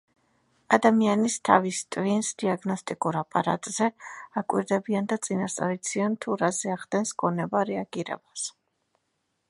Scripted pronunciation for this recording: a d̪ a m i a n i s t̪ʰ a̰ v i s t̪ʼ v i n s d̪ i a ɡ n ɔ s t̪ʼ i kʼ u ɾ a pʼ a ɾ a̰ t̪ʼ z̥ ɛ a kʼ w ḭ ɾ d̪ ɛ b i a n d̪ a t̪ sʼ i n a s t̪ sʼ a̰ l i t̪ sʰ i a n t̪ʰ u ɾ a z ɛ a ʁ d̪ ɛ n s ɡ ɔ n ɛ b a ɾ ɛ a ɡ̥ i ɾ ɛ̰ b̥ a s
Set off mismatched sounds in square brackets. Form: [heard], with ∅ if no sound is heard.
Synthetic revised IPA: a d̪ a m i a n i s t̪ʰ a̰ v i s t̪ʼ v i n s d̪ i a ɡ n ɔ s t̪ʼ i kʼ u ɾ a pʼ a ɾ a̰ t̪ʼ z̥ ɛ a kʼ w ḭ ɾ d̪ ɛ b i a n d̪ a t̪ sʼ i n a s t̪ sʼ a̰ [ɾ] i t̪ sʰ i a n t̪ʰ u ɾ a z ɛ a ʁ d̪ ɛ n s ɡ ɔ n ɛ b a ɾ ɛ a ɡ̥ i ɾ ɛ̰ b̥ a s